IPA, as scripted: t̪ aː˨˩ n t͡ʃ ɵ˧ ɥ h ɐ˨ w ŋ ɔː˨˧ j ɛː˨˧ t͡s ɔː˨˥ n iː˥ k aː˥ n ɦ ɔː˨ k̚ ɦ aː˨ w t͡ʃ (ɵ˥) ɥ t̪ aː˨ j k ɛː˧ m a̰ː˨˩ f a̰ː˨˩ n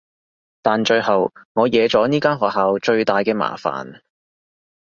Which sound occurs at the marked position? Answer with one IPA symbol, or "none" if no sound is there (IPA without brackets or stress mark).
ɵ˧